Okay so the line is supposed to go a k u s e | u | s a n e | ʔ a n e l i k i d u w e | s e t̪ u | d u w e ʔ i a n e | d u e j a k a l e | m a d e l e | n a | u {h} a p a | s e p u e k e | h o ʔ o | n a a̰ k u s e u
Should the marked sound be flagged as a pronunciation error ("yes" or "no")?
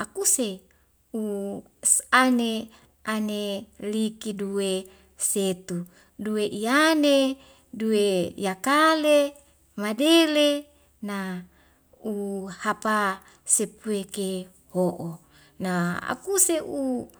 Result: no